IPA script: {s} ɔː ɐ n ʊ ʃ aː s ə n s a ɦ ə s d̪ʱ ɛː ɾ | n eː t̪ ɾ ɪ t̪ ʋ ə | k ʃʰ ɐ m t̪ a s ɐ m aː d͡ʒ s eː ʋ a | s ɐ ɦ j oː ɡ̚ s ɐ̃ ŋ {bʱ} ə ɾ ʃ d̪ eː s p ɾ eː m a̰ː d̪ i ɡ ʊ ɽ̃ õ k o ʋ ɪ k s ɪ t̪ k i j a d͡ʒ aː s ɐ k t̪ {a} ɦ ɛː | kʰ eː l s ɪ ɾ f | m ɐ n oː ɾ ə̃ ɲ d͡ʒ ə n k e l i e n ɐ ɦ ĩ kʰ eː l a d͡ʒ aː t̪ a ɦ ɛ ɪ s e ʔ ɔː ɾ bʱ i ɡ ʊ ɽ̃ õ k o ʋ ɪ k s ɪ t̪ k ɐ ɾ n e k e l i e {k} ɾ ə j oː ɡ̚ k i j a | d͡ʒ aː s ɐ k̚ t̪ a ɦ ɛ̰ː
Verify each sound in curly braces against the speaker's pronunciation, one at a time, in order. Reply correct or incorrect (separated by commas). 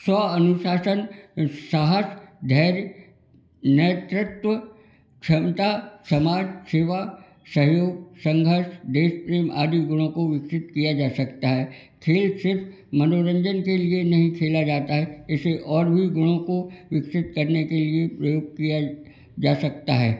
correct, incorrect, correct, incorrect